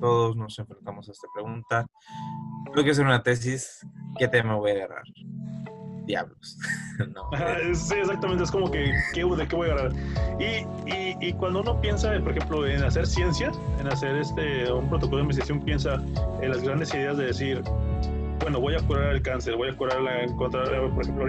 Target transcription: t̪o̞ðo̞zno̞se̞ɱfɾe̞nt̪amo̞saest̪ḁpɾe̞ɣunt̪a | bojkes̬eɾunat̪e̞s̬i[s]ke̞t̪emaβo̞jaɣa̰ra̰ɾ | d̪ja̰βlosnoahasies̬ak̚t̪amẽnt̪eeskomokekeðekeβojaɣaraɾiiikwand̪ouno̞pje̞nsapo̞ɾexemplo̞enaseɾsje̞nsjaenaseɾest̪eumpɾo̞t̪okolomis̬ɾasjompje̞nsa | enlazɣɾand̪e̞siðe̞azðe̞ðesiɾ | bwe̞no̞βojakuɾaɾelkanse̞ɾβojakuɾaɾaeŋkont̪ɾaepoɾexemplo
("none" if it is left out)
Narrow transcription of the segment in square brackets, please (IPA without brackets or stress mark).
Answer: s